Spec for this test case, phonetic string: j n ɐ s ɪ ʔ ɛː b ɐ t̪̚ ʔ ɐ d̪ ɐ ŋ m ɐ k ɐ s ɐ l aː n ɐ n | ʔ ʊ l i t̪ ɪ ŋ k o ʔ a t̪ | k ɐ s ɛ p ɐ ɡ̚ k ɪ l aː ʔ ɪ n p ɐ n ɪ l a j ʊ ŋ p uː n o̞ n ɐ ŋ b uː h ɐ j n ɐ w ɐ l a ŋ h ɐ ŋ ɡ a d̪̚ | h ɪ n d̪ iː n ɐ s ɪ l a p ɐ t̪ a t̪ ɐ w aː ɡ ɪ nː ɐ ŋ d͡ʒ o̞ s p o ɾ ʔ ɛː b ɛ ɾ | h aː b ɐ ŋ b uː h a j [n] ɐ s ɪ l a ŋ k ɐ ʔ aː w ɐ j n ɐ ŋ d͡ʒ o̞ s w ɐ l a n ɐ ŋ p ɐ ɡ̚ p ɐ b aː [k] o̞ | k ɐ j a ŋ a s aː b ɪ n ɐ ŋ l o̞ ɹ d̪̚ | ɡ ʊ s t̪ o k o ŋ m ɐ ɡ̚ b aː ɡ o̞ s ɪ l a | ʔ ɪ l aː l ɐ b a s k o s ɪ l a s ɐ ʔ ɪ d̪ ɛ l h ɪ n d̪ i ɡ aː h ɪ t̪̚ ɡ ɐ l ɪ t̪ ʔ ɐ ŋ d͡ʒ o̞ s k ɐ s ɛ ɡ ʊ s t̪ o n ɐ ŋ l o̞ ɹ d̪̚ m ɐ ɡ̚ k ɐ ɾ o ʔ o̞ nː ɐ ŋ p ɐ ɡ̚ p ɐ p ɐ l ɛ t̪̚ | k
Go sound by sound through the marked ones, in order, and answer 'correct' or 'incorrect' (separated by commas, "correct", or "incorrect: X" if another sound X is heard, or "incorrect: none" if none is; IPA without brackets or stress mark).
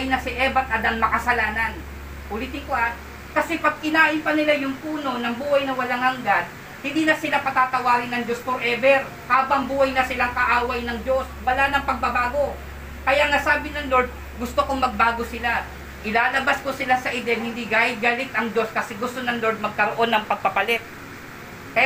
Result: correct, incorrect: ɡ